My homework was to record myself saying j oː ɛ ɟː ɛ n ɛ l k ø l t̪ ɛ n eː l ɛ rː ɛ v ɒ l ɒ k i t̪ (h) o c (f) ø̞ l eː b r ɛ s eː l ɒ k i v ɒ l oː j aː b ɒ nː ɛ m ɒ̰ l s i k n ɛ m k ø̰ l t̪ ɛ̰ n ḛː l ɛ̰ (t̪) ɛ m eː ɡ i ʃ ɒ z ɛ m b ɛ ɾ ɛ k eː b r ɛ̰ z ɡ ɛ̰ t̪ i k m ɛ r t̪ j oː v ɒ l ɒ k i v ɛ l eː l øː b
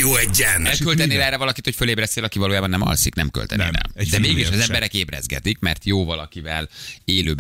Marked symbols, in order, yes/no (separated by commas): yes, yes, no